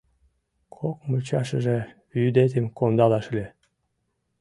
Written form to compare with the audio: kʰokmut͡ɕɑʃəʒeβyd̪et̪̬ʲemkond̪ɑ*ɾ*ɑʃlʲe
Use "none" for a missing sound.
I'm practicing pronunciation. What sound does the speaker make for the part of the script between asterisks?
l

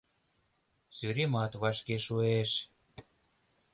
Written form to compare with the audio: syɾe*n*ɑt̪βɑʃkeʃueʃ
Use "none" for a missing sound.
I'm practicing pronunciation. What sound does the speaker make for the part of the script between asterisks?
m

